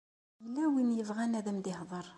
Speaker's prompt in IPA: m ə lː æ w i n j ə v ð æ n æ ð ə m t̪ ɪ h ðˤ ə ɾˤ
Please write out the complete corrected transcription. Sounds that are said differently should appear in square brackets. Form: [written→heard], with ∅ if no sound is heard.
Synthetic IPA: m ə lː æ w i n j ə v [ð→ʁ] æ n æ ð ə m [t̪→d̪] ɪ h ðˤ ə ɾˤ